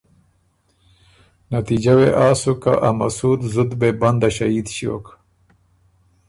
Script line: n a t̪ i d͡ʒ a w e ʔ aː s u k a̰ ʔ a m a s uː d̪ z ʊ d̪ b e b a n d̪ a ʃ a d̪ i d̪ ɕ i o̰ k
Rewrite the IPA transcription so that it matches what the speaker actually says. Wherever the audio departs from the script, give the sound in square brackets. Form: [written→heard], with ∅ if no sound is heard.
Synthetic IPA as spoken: n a t̪ i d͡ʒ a w e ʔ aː s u k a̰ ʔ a m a s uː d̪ z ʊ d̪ b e b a n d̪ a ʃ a [d̪→∅] i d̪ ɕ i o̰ k